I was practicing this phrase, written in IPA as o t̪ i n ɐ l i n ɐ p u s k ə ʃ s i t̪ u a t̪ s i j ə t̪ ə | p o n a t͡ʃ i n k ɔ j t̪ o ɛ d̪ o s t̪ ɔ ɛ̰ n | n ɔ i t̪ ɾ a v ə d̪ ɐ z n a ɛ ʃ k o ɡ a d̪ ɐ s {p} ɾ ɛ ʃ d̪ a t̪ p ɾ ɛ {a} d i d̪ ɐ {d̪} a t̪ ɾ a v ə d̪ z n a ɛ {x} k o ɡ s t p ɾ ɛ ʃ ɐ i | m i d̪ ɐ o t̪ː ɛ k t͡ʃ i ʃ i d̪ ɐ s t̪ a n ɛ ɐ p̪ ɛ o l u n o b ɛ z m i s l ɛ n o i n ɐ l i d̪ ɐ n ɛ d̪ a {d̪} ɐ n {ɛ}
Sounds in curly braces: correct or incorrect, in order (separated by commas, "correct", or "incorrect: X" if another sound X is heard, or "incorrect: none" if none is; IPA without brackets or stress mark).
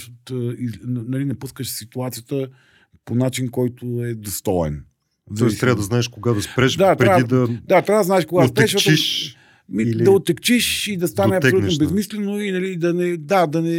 correct, correct, correct, incorrect: ʃ, correct, correct